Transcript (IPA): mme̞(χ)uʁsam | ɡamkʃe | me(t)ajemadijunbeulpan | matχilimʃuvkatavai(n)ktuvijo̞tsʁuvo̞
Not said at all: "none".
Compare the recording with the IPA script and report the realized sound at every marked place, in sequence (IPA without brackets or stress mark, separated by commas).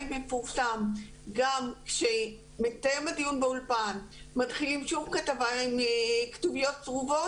f, t, m